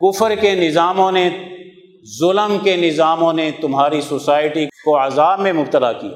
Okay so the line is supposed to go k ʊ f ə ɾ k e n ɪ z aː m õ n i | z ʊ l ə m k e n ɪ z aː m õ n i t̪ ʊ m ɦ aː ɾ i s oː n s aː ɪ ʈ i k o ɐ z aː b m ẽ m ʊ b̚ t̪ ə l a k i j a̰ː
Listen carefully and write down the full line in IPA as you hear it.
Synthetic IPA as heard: k ʊ f ə ɾ k e n ɪ z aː m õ n e | z ʊ l ə m k e n ɪ z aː m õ n e t̪ ʊ m ɦ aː ɾ i s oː s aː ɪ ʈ i k o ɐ z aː b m ẽ m ʊ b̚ t̪ ə l a k i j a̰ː